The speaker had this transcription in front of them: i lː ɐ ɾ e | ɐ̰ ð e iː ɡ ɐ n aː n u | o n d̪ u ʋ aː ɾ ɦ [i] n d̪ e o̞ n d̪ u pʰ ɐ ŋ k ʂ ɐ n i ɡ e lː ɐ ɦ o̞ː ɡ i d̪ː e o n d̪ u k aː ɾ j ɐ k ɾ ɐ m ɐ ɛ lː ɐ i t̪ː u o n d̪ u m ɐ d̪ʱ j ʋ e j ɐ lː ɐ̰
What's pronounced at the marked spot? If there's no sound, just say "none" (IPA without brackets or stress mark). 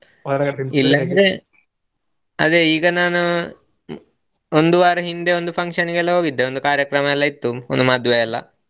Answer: i